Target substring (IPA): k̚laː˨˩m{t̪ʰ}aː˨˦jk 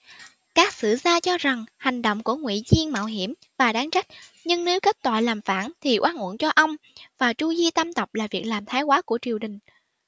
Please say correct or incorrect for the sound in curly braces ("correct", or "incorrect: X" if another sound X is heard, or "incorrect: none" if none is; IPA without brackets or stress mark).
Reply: correct